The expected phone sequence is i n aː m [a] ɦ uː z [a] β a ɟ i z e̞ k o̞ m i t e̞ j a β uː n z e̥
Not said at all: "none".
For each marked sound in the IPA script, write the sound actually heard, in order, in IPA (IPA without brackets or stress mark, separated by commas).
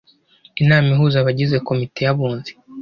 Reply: i, a